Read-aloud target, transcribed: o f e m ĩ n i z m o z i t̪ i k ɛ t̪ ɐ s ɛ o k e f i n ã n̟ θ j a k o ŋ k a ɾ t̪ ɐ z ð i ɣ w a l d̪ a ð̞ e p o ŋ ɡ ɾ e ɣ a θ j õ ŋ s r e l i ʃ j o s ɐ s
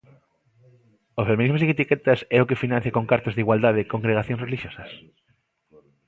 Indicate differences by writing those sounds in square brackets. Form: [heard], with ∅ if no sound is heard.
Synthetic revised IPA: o f e m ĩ n i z m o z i t̪ i k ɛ t̪ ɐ s ɛ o k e f i n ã n̟ θ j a k o ŋ k a ɾ t̪ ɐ z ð i ɣ w a l d̪ a ð̞ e [k] o ŋ ɡ ɾ e ɣ a θ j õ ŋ s r e l i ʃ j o s ɐ s